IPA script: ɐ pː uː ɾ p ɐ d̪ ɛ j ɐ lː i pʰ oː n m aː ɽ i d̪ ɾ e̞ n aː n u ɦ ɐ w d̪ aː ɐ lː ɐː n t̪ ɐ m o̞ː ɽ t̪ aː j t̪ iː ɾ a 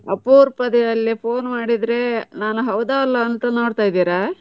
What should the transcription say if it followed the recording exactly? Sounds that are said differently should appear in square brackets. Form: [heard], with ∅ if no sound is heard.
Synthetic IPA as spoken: ɐ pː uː ɾ p ɐ d̪ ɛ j ɐ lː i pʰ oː n m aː ɽ i d̪ ɾ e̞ n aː n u ɦ ɐ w d̪ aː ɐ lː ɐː n t̪ ɐ [n] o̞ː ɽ t̪ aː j [d̪] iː ɾ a